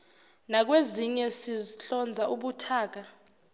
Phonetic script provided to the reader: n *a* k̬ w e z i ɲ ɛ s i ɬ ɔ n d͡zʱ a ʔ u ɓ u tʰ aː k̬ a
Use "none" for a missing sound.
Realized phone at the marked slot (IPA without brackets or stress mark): a